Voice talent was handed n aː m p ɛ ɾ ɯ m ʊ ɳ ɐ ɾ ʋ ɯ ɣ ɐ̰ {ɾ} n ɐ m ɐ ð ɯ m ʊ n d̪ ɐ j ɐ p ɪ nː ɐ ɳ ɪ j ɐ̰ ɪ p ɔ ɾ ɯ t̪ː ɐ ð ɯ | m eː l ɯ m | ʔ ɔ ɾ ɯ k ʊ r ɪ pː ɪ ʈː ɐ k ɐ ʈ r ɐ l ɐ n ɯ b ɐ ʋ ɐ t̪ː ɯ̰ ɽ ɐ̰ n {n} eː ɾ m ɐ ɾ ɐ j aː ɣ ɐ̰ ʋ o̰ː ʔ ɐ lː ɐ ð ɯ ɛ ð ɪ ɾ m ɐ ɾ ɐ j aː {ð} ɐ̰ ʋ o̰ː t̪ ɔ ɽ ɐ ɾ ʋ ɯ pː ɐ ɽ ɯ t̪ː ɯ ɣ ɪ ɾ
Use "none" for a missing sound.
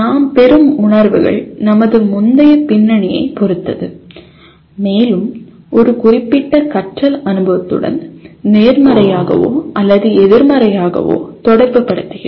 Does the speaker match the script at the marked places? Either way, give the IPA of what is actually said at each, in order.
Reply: ɭ, n, ɣ

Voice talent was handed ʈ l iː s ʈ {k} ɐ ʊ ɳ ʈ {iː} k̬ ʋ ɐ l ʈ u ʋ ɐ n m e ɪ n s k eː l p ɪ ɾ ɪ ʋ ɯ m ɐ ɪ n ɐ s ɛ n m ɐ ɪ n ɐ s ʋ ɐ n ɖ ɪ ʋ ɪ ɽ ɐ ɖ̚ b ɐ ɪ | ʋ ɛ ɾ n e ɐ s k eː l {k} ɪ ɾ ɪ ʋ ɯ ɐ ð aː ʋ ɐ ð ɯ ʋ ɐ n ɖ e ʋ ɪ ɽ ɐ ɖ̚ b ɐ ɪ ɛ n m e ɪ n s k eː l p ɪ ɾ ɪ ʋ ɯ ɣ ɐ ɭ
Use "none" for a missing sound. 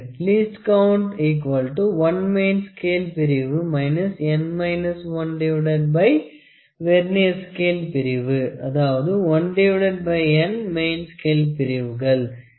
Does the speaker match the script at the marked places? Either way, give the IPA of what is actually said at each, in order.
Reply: k, iː, p

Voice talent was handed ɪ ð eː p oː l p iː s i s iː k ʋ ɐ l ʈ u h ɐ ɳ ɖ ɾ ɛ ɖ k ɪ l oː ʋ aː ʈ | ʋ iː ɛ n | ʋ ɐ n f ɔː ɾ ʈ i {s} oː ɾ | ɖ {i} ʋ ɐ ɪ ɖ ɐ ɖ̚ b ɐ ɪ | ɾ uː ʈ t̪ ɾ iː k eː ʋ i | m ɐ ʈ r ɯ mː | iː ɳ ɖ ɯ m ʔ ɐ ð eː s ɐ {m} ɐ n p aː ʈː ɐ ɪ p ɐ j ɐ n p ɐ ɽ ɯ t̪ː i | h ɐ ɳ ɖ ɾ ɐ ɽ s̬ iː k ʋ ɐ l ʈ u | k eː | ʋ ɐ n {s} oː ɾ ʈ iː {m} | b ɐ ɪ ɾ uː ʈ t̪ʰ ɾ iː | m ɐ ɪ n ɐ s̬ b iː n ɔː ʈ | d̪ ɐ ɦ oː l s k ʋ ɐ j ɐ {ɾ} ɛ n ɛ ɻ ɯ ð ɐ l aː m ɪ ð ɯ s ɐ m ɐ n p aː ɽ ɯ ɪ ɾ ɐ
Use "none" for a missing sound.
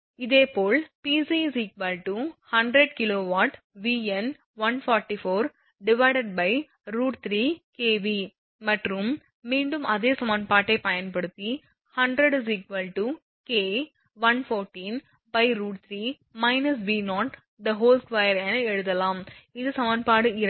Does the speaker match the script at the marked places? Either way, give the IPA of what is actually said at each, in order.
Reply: f, ɪ, m, f, n, ɾ

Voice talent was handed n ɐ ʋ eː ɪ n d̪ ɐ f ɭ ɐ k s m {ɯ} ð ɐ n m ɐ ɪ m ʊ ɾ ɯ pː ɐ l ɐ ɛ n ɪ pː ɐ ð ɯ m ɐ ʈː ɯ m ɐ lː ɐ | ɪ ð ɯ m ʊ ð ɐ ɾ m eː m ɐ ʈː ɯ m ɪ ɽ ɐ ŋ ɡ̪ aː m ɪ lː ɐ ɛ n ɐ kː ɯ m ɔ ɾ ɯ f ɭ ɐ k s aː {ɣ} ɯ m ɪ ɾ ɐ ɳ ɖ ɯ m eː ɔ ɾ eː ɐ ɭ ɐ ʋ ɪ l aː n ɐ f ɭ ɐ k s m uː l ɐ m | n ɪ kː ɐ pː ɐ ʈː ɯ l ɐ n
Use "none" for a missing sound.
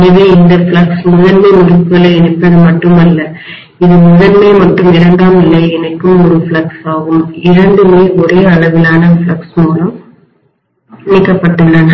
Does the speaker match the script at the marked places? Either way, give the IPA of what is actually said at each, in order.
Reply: ʊ, ɣ

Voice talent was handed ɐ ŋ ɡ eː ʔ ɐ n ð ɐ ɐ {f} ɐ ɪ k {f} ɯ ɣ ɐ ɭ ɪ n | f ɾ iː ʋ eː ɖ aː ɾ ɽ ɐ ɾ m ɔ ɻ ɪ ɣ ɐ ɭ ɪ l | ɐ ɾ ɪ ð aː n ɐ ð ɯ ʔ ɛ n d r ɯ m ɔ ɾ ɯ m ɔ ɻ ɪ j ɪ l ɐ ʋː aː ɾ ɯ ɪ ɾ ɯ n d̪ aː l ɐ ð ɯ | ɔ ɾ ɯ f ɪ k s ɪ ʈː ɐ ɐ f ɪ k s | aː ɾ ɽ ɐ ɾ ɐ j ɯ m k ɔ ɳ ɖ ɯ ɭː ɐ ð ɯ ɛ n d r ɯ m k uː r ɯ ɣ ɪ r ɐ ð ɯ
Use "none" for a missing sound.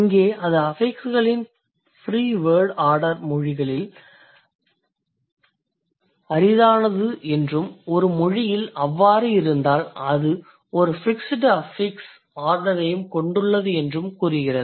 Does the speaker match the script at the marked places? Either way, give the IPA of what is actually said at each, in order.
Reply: f, s

